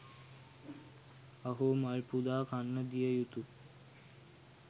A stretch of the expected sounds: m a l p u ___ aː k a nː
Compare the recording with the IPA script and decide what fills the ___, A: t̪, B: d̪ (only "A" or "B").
B